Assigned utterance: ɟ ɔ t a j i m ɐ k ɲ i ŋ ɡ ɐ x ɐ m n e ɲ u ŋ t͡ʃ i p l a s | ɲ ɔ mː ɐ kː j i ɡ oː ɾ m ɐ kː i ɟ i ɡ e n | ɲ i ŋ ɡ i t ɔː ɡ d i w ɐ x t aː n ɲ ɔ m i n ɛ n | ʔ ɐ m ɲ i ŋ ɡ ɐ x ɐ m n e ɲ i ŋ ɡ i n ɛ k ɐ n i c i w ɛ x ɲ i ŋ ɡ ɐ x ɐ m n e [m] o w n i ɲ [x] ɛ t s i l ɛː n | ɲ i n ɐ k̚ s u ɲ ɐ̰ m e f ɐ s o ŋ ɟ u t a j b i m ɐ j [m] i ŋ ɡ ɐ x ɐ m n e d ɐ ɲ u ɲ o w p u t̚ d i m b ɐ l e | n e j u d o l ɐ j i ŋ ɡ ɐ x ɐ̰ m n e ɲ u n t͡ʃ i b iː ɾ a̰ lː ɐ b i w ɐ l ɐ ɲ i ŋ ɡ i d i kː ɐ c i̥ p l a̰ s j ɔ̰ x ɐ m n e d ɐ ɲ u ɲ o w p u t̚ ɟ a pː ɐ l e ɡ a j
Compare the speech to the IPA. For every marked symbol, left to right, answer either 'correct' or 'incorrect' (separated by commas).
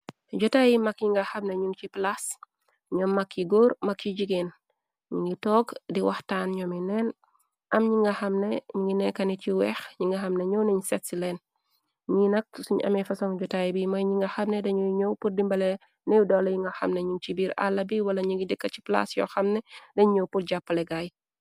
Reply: incorrect, incorrect, incorrect